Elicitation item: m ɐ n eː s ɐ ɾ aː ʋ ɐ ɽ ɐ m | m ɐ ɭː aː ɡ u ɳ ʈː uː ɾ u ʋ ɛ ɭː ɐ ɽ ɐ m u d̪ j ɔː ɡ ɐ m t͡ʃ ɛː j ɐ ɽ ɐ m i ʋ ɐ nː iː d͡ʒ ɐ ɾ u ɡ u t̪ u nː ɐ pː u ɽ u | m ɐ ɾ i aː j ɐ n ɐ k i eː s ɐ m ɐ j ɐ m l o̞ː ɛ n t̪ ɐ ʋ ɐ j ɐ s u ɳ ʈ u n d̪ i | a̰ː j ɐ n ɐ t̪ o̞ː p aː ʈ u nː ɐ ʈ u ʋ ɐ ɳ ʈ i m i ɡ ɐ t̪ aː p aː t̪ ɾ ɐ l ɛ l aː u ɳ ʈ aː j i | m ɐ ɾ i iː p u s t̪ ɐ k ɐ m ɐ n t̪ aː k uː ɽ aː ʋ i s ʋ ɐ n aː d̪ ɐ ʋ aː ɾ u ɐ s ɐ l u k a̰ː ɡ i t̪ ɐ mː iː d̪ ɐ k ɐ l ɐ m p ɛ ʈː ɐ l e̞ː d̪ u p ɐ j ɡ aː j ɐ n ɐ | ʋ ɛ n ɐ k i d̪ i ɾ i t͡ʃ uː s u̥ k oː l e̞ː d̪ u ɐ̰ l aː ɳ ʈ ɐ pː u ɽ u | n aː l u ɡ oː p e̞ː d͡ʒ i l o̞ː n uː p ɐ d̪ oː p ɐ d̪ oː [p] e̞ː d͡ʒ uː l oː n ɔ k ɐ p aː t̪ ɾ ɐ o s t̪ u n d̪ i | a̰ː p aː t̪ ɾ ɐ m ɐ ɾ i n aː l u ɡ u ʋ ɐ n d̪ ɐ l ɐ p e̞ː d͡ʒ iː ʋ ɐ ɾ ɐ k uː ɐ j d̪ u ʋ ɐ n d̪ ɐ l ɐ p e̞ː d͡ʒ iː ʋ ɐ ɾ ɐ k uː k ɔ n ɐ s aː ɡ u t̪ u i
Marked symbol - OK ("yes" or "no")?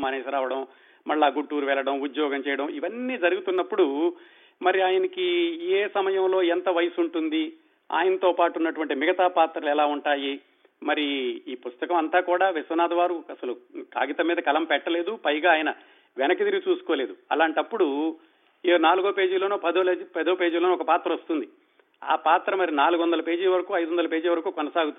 yes